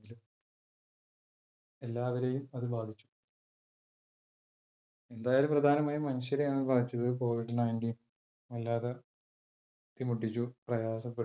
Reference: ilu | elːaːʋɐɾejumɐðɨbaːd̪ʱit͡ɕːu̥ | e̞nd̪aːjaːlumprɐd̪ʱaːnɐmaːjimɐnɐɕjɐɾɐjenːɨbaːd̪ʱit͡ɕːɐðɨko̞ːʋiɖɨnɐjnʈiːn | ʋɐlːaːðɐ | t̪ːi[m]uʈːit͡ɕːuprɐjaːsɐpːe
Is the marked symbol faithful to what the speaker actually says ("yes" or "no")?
yes